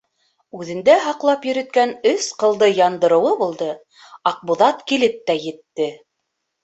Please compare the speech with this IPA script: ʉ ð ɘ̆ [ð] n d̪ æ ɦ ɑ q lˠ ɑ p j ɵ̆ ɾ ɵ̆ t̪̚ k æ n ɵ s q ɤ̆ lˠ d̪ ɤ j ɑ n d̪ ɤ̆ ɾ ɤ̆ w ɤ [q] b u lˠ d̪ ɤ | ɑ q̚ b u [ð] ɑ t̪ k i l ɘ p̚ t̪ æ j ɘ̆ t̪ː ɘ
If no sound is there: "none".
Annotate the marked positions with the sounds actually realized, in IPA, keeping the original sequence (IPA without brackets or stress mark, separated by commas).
none, none, ð